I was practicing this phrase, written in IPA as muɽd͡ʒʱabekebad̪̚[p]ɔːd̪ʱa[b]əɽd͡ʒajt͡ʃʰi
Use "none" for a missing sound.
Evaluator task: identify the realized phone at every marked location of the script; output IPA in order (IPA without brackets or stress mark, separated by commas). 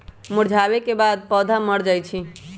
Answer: p, m